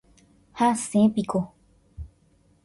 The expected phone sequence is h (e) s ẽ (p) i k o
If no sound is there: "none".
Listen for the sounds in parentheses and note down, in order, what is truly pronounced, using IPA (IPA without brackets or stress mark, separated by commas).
a, p